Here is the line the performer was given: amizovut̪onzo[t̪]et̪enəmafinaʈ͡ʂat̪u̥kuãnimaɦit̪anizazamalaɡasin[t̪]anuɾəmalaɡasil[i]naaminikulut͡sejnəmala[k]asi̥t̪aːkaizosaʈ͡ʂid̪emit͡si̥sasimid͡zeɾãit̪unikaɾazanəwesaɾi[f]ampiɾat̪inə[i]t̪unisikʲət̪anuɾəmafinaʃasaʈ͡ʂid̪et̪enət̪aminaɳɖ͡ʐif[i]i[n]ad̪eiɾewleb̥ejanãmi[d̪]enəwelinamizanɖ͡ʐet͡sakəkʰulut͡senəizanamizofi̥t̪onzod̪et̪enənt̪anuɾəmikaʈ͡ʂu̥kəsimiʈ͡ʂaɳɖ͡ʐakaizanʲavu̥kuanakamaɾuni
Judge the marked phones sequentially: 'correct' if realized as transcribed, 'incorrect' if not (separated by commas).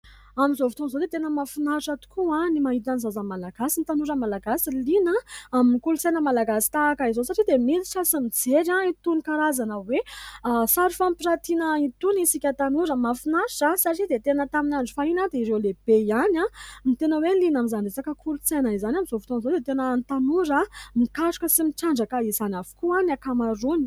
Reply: incorrect, correct, correct, incorrect, correct, correct, incorrect, correct, incorrect